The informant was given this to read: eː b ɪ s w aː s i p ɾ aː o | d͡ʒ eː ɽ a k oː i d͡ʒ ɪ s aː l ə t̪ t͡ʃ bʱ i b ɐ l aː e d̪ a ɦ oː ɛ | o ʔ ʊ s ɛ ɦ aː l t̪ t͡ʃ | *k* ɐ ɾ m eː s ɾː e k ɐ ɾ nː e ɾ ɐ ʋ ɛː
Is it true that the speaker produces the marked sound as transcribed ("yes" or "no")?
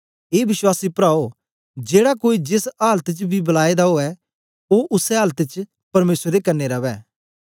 no